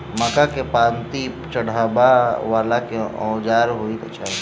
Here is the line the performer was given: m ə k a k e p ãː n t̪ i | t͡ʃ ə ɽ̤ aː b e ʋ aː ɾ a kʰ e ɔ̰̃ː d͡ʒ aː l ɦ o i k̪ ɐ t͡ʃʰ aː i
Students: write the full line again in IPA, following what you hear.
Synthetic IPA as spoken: m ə k a k e p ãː n t̪ i | t͡ʃ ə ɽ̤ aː b a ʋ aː l a k e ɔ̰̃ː d͡ʒ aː ɾ ɦ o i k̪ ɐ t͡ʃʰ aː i